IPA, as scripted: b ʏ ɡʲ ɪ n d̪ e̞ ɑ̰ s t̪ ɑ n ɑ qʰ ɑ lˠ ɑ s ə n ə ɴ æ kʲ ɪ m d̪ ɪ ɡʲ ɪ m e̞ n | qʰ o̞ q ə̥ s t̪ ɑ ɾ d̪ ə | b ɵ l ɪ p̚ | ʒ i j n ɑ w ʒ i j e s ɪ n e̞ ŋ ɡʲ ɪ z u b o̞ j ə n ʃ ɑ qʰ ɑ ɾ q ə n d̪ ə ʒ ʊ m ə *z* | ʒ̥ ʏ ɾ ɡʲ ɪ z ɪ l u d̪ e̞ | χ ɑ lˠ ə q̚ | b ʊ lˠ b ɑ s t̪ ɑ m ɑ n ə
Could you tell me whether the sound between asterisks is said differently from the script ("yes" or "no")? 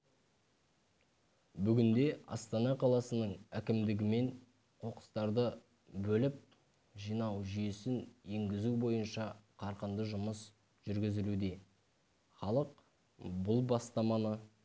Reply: yes